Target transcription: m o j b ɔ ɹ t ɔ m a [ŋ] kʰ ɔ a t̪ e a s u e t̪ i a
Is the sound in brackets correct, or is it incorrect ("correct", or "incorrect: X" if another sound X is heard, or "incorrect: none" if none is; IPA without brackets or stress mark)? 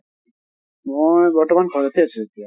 incorrect: n